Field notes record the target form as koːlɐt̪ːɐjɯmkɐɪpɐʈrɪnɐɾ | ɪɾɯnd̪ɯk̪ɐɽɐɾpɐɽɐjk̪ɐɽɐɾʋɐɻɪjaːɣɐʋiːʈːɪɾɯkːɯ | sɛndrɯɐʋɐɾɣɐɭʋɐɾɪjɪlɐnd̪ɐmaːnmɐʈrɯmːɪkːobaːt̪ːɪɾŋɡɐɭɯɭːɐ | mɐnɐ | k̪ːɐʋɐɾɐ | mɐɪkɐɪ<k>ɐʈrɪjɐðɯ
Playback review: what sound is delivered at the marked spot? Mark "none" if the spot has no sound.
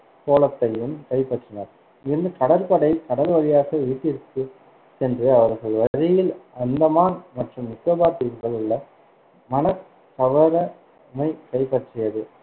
p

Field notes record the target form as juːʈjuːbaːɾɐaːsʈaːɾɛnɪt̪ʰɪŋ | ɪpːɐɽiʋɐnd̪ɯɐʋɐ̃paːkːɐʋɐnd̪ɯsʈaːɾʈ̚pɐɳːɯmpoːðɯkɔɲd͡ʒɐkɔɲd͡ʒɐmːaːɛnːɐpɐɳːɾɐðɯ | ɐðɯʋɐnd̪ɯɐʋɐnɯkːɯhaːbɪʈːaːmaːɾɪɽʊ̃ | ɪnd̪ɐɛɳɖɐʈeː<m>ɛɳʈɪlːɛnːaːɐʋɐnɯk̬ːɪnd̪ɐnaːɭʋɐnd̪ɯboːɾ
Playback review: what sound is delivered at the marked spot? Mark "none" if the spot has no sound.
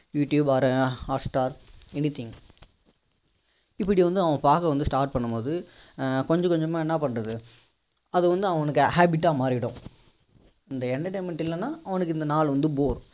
m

